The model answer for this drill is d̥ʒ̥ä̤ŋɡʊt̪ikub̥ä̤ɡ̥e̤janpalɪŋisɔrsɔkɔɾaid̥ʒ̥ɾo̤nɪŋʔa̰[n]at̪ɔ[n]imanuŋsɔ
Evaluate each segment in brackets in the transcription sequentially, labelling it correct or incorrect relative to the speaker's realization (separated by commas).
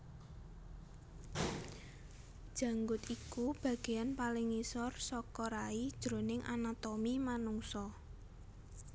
correct, incorrect